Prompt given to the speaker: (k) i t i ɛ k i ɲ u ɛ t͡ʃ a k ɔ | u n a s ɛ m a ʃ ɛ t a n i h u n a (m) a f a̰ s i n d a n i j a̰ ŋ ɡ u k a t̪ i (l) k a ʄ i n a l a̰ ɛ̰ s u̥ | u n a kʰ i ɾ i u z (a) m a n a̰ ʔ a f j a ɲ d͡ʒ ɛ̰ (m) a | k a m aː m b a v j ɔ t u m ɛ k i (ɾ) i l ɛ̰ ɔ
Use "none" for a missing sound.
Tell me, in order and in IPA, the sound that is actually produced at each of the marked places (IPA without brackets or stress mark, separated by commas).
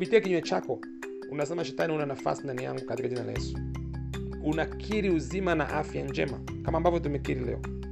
p, n, none, i, m, ɾ